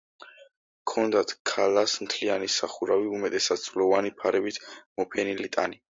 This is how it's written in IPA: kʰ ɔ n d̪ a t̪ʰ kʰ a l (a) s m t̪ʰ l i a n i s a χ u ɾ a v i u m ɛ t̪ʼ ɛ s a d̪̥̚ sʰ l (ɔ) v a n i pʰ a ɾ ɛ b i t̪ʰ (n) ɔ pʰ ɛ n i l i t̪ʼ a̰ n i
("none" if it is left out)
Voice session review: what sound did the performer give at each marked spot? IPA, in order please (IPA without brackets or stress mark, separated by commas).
a, ɔ, m